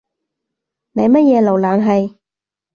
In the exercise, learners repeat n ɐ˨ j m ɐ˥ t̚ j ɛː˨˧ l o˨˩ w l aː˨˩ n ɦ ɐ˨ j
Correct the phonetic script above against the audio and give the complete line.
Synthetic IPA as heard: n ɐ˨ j m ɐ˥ t̚ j ɛː˨˧ l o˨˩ w l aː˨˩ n ɦ ɐ˨ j